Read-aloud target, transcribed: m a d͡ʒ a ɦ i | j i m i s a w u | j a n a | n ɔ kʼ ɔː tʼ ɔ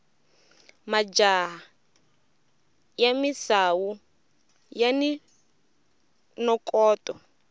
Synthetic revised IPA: m a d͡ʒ a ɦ a | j a m i s a w u | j a n i | n ɔ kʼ ɔː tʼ ɔ